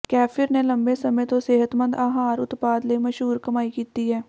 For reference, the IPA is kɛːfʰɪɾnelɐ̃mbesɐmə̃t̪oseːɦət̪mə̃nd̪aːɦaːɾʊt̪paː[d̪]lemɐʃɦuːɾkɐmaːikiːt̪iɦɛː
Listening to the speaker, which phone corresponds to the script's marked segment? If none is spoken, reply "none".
d̪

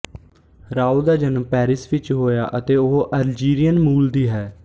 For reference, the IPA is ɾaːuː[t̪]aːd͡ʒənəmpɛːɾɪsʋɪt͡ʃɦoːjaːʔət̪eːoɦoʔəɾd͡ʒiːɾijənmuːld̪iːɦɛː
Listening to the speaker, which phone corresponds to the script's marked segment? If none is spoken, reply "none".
d̪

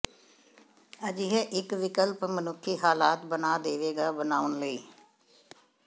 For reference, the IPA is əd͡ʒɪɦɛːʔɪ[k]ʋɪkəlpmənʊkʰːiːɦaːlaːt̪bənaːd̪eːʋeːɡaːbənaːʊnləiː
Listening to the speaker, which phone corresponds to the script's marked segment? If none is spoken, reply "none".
k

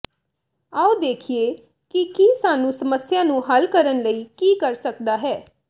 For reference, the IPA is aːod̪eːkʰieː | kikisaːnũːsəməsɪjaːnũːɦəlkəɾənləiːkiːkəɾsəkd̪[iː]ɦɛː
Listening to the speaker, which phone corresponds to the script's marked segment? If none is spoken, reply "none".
aː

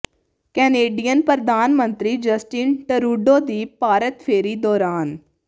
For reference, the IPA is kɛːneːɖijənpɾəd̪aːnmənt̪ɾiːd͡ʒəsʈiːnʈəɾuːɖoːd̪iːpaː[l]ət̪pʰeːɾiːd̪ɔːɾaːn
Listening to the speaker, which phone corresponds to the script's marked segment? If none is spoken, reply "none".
ɾ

